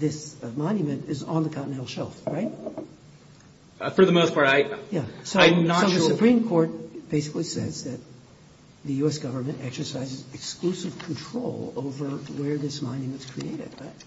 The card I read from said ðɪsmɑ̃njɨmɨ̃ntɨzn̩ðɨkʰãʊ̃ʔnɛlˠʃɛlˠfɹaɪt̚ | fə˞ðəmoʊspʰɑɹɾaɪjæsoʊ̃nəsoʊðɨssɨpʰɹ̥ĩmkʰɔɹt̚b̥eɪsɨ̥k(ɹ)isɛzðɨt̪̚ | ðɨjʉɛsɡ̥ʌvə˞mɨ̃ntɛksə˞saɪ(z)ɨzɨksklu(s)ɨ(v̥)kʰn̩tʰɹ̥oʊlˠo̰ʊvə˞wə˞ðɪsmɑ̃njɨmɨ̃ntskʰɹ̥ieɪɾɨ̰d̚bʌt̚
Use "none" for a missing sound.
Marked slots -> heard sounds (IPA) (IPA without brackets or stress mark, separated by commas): l, z, s, v̥